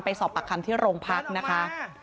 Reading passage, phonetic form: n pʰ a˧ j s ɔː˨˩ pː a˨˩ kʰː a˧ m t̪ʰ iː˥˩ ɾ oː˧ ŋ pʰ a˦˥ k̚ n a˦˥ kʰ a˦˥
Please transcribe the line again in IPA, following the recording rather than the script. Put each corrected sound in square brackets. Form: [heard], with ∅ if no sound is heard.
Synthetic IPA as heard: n [p] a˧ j s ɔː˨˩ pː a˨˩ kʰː a˧ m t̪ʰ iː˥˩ ɾ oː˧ ŋ pʰ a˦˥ k̚ n a˦˥ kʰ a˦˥